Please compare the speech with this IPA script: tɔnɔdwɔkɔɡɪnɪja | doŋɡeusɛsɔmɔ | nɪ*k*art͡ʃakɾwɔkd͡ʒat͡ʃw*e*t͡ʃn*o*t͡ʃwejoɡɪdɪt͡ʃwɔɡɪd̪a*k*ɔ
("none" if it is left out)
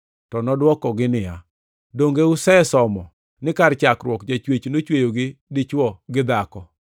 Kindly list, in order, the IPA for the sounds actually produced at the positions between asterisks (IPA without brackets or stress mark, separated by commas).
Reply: k, e, o, k